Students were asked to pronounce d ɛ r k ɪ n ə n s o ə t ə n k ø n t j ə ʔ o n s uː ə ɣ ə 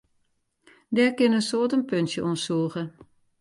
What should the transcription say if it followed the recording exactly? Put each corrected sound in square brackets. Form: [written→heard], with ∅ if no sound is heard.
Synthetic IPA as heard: d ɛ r k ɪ n ə n s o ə t ə n [k→p] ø n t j ə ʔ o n s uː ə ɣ ə